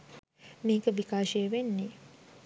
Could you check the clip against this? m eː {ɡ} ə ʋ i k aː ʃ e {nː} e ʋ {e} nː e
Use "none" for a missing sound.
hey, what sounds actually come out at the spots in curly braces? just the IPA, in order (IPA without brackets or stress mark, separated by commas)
k, none, e